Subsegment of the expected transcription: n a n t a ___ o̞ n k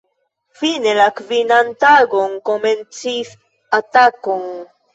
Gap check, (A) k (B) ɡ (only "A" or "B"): B